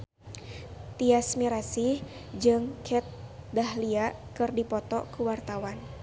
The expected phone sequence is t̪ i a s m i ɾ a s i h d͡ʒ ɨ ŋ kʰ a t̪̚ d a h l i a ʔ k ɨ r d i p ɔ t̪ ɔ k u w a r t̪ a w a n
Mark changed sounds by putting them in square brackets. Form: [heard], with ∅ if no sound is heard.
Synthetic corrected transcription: t̪ i a s m i ɾ a s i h d͡ʒ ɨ ŋ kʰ [ɛ] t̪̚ d a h l i a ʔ k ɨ r d i p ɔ t̪ ɔ k u w a r t̪ a w a n